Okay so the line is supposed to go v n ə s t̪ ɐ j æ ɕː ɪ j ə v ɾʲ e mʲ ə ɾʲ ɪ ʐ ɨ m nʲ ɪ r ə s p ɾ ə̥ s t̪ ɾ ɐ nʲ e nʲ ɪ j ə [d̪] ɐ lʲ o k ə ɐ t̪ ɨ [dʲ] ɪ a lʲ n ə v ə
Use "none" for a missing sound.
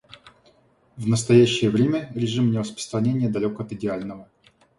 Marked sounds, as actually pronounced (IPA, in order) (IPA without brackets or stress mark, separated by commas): d̪, dʲ